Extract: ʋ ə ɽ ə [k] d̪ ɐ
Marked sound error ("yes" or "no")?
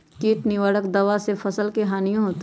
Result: no